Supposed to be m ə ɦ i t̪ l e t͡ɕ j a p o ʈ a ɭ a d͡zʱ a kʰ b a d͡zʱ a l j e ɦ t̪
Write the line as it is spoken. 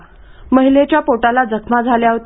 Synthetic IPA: m ə ɦ i l e t͡ɕ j a p o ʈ a l a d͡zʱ ə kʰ m a d͡zʱ a l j a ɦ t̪